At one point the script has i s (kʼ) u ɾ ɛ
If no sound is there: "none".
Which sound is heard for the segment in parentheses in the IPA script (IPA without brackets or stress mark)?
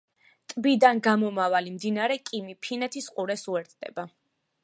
qʼ